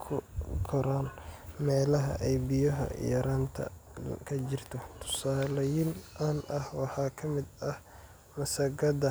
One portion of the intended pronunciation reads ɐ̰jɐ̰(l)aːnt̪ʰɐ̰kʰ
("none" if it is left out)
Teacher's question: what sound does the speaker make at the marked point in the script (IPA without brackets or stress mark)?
ɾ